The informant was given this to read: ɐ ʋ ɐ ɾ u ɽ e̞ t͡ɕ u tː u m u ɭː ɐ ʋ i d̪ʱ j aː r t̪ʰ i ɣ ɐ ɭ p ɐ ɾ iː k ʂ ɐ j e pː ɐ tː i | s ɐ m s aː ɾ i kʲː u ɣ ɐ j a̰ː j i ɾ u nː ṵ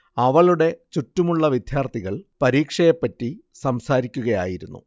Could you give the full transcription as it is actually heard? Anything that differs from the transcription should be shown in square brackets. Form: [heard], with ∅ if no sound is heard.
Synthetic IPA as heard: ɐ ʋ ɐ [ɭ] u ɽ e̞ t͡ɕ u tː u m u ɭː ɐ ʋ i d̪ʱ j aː r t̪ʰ i ɣ ɐ ɭ p ɐ ɾ iː k ʂ ɐ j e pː ɐ tː i | s ɐ m s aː ɾ i kʲː u ɣ ɐ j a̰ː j i ɾ u nː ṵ